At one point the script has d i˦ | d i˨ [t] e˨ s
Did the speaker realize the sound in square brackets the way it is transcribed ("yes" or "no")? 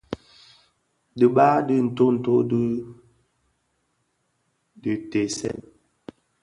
yes